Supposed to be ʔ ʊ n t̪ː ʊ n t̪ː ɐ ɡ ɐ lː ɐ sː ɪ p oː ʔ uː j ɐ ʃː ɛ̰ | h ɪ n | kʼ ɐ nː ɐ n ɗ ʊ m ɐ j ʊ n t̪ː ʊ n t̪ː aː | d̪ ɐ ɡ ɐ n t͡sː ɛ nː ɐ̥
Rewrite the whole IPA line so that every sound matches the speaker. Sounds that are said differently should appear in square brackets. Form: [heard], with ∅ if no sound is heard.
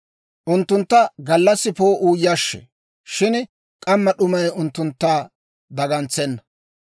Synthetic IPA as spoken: ʔ ʊ n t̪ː ʊ n t̪ː ɐ ɡ ɐ lː ɐ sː ɪ p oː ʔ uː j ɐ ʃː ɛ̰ | [ʃ] ɪ n | kʼ ɐ [mː] ɐ [∅] ɗ ʊ m ɐ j ʊ n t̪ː ʊ n t̪ː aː | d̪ ɐ ɡ ɐ n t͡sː ɛ nː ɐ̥